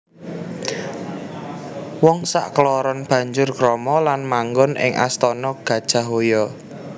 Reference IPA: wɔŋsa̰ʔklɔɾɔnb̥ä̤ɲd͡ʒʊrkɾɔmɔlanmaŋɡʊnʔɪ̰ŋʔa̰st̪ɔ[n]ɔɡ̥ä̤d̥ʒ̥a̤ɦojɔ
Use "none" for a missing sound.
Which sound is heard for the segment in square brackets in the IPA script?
n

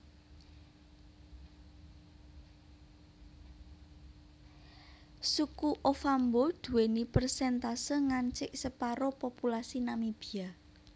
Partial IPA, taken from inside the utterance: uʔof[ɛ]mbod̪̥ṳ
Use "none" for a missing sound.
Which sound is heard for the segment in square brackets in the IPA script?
a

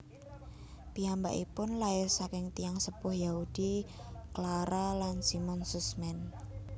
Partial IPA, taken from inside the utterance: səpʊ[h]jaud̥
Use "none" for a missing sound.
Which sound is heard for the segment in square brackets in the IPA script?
h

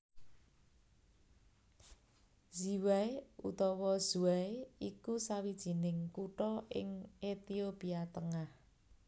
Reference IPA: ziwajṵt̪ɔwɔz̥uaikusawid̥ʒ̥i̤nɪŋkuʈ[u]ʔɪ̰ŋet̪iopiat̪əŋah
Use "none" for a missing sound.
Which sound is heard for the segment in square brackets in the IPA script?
ɔ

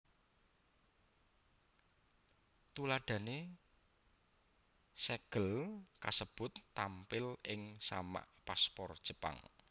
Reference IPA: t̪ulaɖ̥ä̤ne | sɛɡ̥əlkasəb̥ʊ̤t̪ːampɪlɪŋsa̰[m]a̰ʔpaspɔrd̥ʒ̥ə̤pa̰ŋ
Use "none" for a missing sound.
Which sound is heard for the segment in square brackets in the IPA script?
m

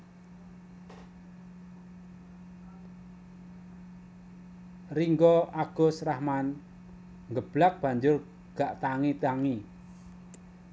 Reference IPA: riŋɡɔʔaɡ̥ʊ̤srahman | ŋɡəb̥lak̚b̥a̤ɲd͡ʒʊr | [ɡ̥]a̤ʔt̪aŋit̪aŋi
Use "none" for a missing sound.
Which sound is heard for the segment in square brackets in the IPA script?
ɡ̥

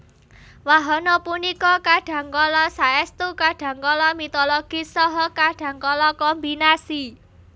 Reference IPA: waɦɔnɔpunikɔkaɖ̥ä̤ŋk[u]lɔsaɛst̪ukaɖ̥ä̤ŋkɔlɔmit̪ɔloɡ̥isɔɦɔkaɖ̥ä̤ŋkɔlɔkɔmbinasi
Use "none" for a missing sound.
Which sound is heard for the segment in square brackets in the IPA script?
ɔ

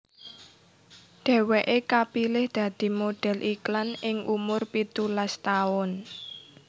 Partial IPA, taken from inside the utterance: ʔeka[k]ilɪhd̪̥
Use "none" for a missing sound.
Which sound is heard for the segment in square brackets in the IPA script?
p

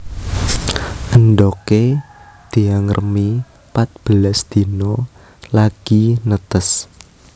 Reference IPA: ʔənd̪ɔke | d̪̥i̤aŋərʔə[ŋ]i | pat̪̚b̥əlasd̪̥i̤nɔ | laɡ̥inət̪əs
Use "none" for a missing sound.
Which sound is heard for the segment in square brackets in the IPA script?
m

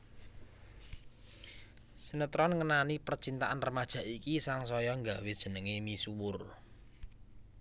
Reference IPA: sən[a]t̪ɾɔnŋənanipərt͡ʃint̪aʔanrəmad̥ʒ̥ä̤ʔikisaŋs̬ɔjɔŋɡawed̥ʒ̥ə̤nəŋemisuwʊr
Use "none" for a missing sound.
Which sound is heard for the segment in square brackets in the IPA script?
ə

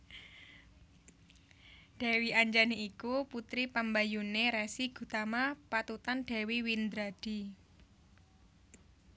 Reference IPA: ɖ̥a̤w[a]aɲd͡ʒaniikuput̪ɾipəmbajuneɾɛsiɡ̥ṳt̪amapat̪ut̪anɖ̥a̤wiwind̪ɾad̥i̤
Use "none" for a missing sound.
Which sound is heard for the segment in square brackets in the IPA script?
i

